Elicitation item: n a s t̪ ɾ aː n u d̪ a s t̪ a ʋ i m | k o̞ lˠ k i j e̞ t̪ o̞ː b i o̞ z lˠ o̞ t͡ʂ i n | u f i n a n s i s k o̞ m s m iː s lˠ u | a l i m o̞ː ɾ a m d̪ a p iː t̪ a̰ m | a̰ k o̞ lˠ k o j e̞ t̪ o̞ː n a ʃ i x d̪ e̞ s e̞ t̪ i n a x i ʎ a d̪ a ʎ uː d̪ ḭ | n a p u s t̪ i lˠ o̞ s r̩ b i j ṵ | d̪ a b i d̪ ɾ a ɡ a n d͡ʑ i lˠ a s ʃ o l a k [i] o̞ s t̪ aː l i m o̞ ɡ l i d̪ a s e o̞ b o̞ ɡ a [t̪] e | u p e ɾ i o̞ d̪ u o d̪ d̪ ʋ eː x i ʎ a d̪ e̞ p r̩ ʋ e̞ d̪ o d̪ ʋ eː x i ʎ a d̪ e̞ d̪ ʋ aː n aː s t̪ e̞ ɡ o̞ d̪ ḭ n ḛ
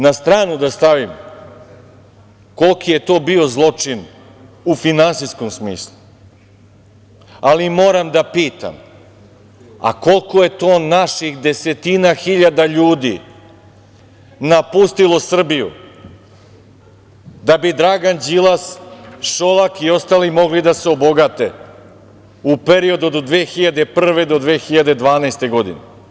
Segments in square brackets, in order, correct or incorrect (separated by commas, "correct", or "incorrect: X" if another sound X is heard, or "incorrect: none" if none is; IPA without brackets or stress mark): correct, correct